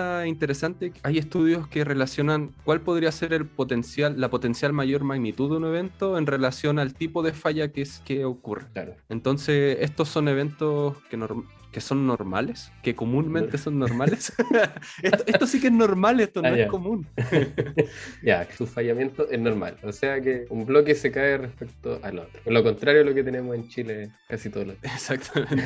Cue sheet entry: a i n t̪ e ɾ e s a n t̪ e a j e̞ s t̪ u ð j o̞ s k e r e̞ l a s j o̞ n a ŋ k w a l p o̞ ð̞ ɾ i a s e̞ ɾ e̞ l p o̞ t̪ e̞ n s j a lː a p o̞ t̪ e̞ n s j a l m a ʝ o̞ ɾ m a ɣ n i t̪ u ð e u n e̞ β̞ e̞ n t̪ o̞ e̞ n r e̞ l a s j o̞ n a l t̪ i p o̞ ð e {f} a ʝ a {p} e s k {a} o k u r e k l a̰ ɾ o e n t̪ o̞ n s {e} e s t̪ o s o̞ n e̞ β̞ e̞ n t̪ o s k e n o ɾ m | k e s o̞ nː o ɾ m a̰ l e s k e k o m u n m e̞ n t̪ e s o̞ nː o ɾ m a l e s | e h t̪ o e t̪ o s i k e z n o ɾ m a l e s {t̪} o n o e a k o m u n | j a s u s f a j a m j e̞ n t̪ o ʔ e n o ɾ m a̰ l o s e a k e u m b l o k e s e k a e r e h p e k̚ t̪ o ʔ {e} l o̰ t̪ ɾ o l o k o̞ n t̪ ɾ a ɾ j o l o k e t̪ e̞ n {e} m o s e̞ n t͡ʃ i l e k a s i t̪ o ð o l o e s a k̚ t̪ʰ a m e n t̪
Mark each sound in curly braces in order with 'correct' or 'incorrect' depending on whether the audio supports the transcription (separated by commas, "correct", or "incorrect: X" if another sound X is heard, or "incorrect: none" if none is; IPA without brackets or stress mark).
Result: correct, incorrect: k, incorrect: e, correct, correct, incorrect: a, correct